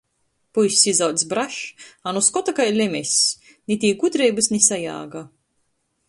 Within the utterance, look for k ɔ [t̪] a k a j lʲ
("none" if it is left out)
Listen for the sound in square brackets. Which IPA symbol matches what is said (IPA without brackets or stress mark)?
t̪